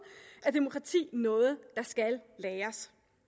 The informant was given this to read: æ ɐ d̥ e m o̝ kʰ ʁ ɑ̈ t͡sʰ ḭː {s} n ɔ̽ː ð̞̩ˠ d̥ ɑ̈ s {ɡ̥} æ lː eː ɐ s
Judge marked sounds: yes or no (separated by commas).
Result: no, yes